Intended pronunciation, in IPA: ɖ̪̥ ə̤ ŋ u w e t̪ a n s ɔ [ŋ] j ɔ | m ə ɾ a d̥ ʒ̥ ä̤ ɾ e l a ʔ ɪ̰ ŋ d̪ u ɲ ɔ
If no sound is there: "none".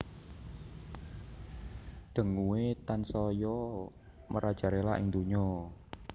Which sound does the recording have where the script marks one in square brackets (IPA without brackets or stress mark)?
none